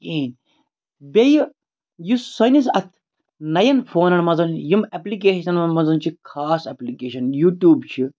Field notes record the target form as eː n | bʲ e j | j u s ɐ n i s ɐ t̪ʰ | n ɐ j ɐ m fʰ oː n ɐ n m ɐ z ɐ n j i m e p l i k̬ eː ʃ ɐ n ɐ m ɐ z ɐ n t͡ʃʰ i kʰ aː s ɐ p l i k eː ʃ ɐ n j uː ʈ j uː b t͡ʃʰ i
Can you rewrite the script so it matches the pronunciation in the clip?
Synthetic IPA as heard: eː n | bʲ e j | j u s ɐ n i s ɐ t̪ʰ | n ɐ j ɐ n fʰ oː n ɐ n m ɐ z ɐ n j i m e p l i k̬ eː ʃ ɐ n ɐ m ɐ z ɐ n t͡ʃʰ i kʰ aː s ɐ p l i k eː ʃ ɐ n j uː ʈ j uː b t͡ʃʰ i